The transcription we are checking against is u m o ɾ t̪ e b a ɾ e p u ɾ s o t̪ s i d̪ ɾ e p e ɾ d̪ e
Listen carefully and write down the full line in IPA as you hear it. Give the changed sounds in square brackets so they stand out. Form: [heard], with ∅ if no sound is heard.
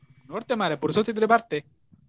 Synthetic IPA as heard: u [n] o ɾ t̪ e [m] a ɾ e p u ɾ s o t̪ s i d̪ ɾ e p [a] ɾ [t̪] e